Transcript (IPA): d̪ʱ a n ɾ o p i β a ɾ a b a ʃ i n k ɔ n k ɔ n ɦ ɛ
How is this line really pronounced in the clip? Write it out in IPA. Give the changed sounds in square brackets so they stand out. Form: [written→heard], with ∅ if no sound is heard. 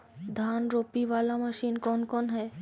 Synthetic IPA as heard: d̪ʱ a n ɾ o p i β a [ɾ→l] a [b→m] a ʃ i n k ɔ n k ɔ n ɦ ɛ